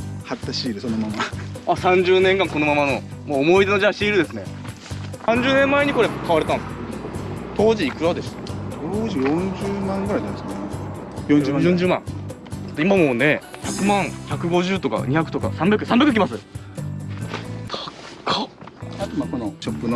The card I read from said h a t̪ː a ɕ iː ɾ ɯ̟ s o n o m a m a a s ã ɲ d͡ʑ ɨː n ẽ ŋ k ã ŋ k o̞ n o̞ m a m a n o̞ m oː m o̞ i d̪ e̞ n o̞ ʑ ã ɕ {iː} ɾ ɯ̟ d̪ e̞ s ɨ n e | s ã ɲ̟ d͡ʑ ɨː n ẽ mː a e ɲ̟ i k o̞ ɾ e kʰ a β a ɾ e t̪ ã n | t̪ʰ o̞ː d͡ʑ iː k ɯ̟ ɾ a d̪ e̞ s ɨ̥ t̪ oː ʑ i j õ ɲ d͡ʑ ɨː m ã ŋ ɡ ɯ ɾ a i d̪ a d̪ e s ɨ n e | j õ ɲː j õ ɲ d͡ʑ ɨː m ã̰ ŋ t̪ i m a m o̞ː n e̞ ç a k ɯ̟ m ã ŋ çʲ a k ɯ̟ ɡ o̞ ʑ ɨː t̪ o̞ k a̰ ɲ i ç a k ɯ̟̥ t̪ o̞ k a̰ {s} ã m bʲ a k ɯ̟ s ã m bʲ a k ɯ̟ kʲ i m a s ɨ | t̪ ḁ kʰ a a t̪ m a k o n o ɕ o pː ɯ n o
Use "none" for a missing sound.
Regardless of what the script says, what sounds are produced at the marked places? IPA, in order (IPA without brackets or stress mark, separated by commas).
iː, s